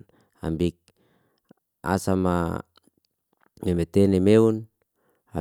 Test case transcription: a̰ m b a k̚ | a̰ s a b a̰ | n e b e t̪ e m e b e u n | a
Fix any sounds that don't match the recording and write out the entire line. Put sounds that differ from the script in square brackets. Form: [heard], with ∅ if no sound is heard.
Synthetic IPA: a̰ m b [i] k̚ | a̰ s a [m] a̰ | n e [m] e t̪ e [n] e [m] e u n | a